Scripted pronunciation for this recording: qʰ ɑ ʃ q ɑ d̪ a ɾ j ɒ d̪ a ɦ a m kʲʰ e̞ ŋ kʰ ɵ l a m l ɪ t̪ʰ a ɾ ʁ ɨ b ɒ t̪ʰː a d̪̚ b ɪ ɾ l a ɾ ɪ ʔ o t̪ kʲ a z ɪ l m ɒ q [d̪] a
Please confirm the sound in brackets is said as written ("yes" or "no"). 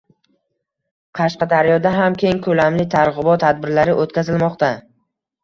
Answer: no